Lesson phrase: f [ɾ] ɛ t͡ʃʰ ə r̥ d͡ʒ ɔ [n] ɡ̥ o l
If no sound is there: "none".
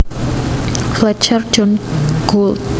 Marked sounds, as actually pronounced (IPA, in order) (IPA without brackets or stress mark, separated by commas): l, n